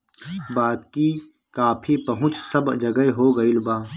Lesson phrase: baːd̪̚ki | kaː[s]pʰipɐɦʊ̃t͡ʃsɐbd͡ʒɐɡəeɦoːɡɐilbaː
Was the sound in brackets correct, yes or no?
no